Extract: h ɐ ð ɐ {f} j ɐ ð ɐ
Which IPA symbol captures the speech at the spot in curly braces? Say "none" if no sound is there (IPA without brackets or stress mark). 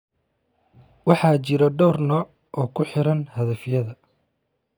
f